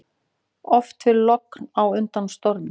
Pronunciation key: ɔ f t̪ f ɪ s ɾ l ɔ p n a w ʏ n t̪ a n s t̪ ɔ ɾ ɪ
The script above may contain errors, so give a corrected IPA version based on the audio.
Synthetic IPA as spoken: ɔ f t̪ f ɪ ɾ l ɔ k n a w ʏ n t̪ a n s t̪ ɔ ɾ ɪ